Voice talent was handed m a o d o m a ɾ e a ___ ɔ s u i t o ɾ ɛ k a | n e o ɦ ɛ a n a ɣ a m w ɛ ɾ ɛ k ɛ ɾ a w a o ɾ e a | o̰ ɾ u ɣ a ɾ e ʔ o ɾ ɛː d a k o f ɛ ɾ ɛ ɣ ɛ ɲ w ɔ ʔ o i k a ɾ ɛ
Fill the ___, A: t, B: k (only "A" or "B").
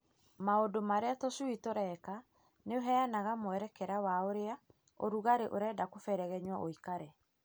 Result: A